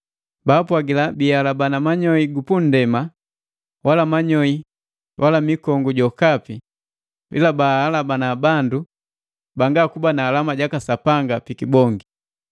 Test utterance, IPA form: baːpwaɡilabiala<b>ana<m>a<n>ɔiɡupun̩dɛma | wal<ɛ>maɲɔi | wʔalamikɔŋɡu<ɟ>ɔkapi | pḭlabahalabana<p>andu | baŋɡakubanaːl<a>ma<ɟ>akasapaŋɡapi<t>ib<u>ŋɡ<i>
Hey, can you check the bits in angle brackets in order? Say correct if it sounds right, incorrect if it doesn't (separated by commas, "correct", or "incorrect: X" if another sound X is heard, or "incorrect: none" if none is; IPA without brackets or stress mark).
correct, correct, incorrect: ɲ, incorrect: a, correct, incorrect: b, correct, correct, incorrect: k, incorrect: ɔ, correct